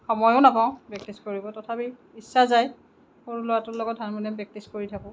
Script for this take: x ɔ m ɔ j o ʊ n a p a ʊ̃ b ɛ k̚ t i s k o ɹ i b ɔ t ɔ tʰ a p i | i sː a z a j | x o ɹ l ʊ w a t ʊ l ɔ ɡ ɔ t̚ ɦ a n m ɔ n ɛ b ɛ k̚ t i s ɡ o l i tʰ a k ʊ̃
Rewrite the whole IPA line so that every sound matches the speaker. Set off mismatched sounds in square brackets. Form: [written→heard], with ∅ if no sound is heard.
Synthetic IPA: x ɔ m ɔ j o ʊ n a p a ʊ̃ b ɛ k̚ t i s k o ɹ i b ɔ t ɔ tʰ a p i | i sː a z a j | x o ɹ l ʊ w a t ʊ l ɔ ɡ ɔ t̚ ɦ a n m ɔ n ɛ b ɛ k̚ t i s [ɡ→k] o [l→ɹ] i tʰ a k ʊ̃